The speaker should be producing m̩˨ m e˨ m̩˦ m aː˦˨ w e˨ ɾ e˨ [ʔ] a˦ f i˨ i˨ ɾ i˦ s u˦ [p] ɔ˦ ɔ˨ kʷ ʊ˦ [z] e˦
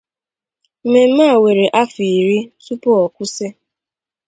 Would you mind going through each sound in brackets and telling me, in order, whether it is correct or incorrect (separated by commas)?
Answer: correct, correct, incorrect